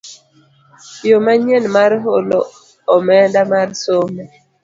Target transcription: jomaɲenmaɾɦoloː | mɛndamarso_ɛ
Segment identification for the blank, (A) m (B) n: A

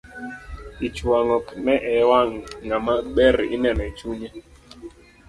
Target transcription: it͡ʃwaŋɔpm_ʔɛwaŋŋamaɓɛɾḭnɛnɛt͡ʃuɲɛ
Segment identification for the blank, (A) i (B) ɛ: B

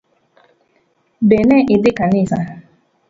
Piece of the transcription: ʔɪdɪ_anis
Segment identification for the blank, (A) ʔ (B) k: B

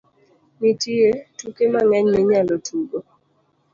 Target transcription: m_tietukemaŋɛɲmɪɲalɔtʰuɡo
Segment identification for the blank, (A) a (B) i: B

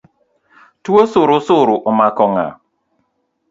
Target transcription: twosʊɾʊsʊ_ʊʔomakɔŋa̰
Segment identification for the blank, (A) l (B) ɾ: B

